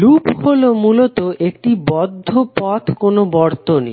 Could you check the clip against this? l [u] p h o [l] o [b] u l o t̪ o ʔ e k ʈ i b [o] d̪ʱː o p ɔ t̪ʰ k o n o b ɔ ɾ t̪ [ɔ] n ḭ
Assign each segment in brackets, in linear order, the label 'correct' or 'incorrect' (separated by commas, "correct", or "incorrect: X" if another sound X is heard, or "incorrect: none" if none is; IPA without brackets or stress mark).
correct, correct, incorrect: m, incorrect: ɔ, incorrect: o